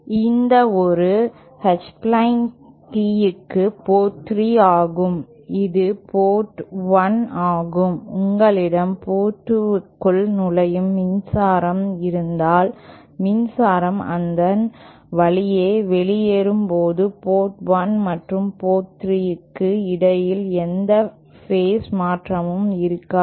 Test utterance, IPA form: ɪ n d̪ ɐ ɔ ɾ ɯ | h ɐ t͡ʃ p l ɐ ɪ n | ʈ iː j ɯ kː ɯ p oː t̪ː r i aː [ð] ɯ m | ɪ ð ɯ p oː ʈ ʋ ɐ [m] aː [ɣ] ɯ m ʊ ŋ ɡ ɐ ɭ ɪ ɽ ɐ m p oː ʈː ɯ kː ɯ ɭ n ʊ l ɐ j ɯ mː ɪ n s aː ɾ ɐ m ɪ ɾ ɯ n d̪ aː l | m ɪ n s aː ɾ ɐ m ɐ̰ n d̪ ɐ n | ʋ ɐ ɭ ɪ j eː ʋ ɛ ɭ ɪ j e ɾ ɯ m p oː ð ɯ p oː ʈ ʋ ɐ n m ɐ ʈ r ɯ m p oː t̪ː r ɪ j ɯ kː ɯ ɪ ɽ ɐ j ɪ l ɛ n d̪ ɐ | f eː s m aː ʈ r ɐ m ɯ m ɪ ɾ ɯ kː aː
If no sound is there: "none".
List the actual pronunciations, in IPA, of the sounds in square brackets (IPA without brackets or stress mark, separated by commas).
ɣ, n, ɣ